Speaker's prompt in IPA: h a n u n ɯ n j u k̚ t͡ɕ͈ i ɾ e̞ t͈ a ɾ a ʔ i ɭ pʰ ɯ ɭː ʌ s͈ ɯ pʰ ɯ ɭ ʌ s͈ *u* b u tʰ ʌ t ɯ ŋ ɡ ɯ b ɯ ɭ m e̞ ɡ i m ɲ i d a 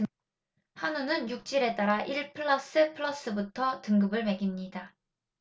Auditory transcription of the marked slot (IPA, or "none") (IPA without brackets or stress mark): ɯ